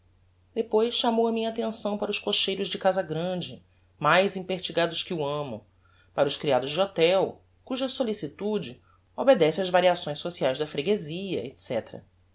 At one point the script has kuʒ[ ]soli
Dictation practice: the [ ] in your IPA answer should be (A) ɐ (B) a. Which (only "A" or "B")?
A